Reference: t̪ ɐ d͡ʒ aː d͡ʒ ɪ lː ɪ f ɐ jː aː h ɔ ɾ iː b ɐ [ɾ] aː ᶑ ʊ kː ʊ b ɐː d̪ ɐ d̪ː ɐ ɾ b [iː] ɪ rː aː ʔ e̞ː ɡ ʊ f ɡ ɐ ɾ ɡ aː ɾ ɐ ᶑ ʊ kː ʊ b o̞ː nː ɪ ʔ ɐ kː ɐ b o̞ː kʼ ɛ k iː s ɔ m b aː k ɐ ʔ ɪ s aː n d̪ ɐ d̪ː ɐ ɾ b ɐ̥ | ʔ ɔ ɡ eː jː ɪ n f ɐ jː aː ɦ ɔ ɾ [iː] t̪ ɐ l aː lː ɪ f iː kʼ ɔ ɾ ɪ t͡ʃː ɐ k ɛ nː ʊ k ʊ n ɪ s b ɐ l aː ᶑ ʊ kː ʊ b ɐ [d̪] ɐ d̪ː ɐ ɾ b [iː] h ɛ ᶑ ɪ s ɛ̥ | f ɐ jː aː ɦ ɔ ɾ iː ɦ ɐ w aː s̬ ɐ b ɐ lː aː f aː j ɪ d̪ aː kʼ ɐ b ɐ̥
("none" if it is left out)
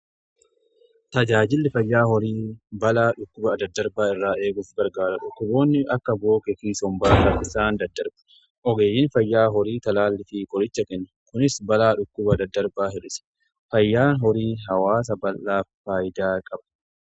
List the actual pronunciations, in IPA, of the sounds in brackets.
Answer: l, aː, iː, d̪, aː

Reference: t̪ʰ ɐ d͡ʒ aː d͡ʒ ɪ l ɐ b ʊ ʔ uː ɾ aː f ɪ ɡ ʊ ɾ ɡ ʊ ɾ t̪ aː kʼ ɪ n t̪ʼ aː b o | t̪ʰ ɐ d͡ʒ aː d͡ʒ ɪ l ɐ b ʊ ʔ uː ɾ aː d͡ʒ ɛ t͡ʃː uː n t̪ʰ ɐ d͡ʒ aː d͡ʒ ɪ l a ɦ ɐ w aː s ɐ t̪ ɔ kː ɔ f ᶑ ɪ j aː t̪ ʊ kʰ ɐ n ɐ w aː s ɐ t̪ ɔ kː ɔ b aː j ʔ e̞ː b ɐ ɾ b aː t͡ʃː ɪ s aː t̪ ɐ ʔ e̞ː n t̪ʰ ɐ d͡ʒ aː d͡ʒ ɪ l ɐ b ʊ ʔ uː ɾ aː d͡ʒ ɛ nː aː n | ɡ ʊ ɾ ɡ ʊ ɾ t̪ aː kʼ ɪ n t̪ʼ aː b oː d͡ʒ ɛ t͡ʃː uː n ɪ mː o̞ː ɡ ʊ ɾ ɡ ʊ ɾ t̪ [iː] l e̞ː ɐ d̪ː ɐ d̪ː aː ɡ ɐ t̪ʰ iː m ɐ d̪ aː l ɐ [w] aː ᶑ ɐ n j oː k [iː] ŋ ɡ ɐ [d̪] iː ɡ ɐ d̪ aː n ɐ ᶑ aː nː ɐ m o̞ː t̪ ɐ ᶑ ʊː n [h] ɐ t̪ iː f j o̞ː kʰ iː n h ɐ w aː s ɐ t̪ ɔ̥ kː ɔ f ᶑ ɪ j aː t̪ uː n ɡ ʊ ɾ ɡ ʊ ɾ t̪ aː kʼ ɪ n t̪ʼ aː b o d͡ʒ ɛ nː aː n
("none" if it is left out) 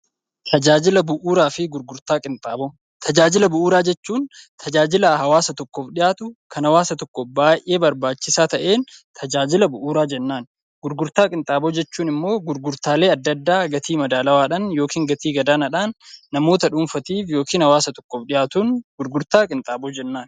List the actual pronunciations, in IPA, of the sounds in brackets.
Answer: aː, w, iː, t̪, f

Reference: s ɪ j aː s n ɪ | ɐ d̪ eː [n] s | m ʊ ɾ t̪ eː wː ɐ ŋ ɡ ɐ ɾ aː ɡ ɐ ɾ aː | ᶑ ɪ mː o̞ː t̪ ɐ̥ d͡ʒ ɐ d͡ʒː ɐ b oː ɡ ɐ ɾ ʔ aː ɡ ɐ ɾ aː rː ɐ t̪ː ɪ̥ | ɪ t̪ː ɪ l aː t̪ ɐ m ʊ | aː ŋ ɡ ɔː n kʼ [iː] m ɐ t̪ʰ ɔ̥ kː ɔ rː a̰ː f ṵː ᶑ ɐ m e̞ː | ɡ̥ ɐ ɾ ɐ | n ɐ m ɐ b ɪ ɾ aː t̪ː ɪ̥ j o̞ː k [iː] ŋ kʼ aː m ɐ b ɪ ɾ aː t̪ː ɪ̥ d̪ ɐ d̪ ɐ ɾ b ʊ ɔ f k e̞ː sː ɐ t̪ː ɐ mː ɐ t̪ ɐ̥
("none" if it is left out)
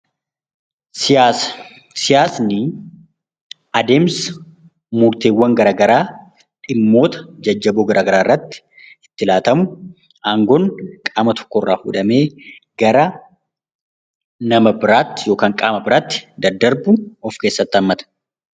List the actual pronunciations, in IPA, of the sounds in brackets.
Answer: m, aː, aː

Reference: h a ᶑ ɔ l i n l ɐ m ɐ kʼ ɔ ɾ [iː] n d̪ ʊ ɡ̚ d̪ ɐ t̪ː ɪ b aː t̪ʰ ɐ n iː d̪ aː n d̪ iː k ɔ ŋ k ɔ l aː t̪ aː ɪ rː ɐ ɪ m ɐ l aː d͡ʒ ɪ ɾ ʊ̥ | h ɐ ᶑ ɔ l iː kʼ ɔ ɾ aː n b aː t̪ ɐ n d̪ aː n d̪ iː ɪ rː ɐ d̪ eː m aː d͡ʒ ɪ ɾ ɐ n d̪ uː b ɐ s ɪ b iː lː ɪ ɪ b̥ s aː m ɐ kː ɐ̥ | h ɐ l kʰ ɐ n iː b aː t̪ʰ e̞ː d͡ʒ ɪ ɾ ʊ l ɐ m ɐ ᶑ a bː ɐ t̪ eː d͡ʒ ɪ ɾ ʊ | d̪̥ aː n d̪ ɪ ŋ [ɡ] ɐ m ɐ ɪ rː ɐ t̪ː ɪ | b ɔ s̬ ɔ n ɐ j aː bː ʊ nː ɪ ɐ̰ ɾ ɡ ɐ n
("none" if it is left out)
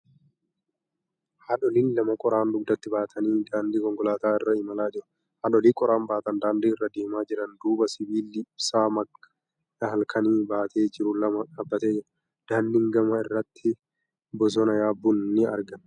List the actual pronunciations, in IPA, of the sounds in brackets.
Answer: aː, ɡ

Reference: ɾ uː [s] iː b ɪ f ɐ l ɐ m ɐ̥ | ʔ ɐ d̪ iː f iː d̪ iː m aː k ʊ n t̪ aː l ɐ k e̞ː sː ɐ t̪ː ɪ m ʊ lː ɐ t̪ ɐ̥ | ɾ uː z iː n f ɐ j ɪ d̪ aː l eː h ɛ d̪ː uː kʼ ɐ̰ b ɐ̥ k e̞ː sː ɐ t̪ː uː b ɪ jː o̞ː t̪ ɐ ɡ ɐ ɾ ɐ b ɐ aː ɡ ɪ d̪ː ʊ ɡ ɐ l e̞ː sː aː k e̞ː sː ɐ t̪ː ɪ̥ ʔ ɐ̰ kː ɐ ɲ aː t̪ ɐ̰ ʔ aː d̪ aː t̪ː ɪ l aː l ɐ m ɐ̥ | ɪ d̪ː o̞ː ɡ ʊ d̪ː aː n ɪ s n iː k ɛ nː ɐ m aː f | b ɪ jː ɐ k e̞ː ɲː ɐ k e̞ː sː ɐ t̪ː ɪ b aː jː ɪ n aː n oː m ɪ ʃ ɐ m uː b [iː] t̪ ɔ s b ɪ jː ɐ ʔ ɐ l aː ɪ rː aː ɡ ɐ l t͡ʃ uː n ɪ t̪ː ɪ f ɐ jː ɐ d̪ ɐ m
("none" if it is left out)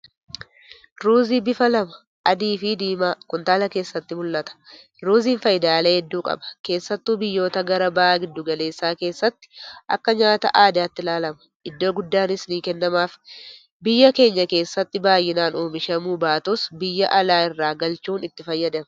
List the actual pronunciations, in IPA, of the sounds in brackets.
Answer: z, aː

